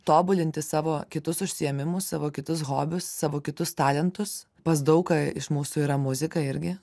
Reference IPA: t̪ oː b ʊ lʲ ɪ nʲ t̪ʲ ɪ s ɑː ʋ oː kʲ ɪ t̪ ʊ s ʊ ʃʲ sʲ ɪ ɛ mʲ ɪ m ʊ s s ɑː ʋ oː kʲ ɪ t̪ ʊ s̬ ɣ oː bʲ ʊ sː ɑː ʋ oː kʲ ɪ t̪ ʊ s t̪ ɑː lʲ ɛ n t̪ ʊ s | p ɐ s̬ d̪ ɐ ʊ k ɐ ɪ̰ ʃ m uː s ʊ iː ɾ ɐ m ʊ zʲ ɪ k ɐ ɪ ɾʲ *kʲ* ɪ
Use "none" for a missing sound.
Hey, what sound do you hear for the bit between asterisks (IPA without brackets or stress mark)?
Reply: ɡʲ